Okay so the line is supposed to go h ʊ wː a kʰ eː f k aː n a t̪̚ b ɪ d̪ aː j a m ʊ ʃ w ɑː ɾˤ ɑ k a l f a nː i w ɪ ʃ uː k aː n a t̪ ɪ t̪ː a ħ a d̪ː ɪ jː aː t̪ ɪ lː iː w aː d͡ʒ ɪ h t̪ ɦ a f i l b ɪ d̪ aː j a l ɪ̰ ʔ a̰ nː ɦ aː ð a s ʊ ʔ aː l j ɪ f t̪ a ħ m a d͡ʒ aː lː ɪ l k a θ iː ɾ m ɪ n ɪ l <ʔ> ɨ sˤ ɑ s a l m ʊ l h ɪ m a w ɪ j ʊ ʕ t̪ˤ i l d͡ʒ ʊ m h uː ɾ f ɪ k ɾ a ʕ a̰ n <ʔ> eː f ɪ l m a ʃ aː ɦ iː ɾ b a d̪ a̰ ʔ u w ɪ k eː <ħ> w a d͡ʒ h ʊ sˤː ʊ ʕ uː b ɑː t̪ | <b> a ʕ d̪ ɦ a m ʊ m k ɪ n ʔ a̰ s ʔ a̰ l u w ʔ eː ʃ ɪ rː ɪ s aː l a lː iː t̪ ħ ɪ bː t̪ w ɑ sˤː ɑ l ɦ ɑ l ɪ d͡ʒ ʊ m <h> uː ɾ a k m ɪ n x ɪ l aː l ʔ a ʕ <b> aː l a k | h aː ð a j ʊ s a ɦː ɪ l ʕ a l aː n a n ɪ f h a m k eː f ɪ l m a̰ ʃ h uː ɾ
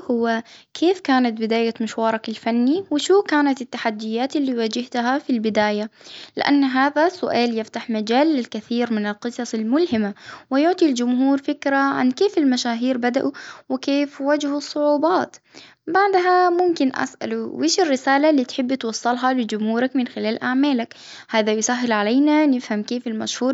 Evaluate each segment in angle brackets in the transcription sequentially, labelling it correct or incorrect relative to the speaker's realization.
incorrect: q, incorrect: k, incorrect: f, correct, correct, incorrect: m

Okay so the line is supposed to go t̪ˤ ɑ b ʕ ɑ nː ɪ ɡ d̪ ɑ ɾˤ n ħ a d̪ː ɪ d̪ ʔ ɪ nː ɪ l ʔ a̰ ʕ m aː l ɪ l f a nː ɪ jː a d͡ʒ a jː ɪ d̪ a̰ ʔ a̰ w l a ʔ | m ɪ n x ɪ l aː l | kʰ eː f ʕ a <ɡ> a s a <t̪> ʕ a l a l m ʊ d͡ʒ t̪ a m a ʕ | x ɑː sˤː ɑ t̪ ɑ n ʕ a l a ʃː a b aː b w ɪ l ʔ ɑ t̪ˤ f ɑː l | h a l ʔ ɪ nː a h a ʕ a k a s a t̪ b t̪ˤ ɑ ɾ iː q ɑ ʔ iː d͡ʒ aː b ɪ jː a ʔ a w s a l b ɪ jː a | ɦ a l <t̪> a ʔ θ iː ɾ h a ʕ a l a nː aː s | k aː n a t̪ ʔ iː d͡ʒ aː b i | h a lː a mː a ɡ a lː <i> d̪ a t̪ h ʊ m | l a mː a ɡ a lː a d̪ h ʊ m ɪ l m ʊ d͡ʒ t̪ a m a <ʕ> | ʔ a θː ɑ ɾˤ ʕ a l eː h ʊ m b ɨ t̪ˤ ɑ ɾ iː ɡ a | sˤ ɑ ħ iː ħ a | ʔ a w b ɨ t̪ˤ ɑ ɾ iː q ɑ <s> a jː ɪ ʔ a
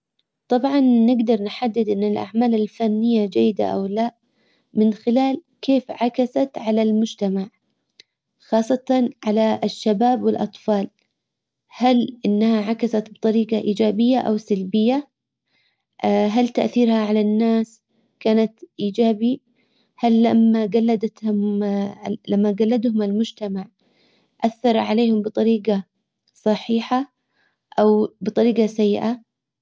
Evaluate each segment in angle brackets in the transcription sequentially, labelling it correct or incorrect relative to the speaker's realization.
incorrect: k, correct, correct, incorrect: a, correct, correct

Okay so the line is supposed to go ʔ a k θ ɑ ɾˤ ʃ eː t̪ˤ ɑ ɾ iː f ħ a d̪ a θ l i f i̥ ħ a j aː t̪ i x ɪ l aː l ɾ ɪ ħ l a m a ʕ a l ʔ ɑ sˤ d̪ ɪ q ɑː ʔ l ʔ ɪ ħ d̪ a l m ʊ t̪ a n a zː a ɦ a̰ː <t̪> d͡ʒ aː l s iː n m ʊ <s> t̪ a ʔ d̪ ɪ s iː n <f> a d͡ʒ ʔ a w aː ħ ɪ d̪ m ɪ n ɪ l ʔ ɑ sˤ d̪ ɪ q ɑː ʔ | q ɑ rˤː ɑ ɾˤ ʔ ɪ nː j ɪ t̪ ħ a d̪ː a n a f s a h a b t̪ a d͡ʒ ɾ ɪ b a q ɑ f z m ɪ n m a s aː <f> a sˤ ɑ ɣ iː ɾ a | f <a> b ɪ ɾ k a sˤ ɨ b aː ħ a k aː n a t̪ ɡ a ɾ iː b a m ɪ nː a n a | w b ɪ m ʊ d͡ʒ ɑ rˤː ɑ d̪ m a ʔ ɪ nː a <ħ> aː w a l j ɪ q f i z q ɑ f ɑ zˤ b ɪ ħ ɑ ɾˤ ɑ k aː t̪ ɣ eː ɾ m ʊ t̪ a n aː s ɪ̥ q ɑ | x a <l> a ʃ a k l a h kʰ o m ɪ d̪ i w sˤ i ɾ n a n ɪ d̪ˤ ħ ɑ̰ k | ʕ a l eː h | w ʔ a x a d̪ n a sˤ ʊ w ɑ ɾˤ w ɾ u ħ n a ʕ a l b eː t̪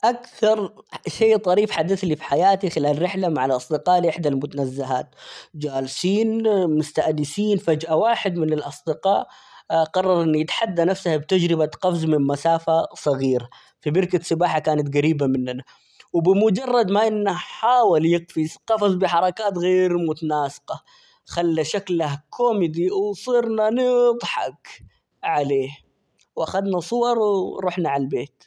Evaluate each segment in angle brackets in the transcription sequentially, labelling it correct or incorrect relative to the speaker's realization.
correct, correct, correct, correct, incorrect: i, correct, incorrect: lː

